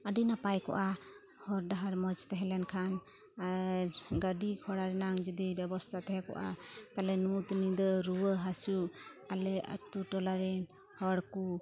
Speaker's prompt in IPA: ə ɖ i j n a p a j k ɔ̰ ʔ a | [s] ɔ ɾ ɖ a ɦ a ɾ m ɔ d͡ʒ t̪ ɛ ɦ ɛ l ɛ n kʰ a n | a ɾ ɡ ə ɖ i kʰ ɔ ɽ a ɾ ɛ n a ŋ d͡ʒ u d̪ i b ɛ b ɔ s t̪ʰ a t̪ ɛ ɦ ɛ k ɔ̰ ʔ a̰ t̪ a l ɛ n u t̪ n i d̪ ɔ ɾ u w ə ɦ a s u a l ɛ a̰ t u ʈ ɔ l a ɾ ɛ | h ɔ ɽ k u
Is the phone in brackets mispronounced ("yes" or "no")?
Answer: yes